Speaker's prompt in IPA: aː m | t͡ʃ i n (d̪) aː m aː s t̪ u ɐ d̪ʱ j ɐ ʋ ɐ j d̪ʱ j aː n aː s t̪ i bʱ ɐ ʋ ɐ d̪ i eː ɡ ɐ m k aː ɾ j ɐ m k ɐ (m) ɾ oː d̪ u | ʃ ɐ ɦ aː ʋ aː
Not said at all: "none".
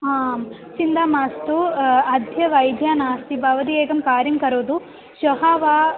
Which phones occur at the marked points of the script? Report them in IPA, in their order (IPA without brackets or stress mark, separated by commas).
d̪, none